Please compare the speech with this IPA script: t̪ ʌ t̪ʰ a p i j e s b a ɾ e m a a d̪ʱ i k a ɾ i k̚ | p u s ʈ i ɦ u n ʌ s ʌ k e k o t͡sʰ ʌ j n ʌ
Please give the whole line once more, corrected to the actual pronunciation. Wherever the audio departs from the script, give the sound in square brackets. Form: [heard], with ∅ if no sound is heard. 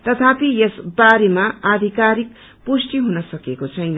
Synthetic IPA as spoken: t̪ ʌ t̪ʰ a p i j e s b a ɾ e m a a d̪ʱ i k a ɾ i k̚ | p u s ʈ i ɦ u n ʌ s ʌ k e k o t͡sʰ ʌ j n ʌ